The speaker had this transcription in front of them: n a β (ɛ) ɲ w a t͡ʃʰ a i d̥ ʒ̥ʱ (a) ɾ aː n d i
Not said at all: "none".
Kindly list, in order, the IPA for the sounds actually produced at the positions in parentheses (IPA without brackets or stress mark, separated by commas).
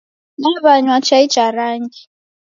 a, a